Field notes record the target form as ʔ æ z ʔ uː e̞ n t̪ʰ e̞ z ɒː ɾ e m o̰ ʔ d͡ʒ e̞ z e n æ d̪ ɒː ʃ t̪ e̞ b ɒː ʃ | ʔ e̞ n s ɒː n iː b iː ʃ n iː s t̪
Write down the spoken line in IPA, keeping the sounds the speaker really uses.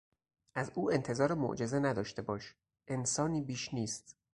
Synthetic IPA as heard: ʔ æ z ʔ uː e̞ n t̪ʰ e̞ z ɒː ɾ e m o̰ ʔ d͡ʒ e̞ z e n æ d̪ ɒː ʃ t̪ e̞ b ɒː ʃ | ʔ e̞ n s ɒː n iː b iː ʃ n iː s t̪